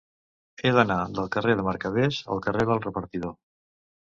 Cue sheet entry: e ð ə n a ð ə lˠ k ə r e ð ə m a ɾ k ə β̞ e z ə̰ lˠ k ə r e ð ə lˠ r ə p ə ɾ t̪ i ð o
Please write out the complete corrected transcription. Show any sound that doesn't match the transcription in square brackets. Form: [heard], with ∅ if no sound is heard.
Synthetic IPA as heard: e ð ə n a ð ə lˠ k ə r e ð ə m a ɾ k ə β̞ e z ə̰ lˠ k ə r e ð ə lˠ r ə p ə ɾ t̪ i ð o